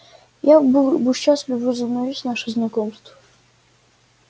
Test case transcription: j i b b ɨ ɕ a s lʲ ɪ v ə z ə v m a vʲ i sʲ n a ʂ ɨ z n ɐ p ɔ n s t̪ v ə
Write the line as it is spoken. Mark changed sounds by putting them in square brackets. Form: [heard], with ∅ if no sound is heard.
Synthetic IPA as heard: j [a] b b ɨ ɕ a s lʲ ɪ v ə z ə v [n] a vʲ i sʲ n a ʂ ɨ z n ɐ [k] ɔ [m] s t̪ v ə